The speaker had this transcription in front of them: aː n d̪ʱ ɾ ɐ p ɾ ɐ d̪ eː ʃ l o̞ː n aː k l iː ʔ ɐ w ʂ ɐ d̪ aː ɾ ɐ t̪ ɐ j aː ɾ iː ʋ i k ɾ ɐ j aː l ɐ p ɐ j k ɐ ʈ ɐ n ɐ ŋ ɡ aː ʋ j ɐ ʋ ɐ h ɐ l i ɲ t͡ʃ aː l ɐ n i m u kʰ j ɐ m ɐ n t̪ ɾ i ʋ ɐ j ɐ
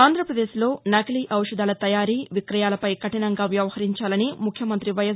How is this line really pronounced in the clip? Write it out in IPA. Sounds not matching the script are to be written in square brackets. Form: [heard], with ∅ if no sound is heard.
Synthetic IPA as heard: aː n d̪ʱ ɾ ɐ p ɾ ɐ d̪ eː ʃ l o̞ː n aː k l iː ʔ ɐ w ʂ ɐ d̪ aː [l] ɐ t̪ ɐ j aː ɾ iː ʋ i k ɾ ɐ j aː l ɐ p ɐ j k ɐ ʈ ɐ n ɐ ŋ ɡ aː ʋ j ɐ ʋ ɐ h ɐ [ɾ] i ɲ t͡ʃ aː l ɐ n i m u kʰ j ɐ m ɐ n t̪ ɾ i ʋ ɐ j ɐ

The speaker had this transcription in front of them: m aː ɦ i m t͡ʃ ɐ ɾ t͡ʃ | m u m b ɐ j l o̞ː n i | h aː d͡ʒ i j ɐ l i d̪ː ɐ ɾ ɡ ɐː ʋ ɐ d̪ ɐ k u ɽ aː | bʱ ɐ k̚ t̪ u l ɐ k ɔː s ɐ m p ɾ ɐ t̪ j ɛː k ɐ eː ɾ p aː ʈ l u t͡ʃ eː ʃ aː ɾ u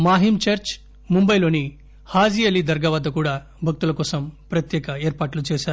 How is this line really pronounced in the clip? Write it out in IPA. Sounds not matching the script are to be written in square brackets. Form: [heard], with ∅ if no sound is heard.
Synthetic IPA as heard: m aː ɦ i m t͡ʃ ɐ ɾ t͡ʃ | m u m b ɐ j l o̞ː n i | h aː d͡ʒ i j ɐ l i [d̪] ɐ ɾ ɡ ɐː ʋ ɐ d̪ ɐ k [uː] ɽ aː | bʱ ɐ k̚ t̪ u l ɐ k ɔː s ɐ m p ɾ ɐ t̪ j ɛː k ɐ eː ɾ p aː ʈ l u t͡ʃ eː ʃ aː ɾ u

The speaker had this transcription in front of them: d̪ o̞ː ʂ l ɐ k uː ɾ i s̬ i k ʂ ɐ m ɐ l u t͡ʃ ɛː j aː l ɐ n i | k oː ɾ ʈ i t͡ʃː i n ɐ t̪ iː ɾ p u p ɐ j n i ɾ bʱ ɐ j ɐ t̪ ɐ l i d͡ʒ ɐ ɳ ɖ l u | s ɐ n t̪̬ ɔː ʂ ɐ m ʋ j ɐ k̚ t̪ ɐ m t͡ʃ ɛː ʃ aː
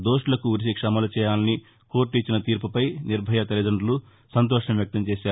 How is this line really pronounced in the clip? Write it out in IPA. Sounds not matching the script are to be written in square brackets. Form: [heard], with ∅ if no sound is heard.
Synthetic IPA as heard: d̪ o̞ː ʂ l ɐ k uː ɾ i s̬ i k ʂ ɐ m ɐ l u t͡ʃ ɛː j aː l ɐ n i | k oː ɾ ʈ i t͡ʃː i n ɐ t̪ iː ɾ p u p ɐ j n i ɾ bʱ ɐ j ɐ t̪ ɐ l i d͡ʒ ɐ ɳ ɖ l u | s ɐ n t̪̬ ɔː ʂ ɐ m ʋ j ɐ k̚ t̪ ɐ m t͡ʃ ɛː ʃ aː

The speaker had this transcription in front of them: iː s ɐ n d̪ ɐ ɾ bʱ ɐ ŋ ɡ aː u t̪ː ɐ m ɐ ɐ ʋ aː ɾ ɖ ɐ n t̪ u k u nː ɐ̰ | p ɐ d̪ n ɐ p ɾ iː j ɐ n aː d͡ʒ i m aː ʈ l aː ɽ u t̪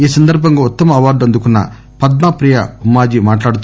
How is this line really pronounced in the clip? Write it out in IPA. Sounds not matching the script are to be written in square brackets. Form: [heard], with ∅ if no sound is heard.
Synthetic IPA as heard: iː s ɐ n d̪ ɐ ɾ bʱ ɐ ŋ ɡ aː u t̪ː ɐ m ɐ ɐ ʋ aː ɾ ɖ ɐ n [d̪] u k u nː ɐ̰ | p ɐ d̪ n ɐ p ɾ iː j ɐ [m] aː d͡ʒ i m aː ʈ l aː ɽ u t̪

